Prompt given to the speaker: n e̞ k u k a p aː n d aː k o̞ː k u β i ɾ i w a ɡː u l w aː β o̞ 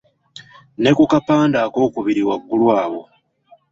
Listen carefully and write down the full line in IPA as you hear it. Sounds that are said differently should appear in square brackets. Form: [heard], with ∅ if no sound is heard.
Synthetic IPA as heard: n e̞ k u k a p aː n d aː k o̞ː k u β i ɾ i w a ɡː u l w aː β o̞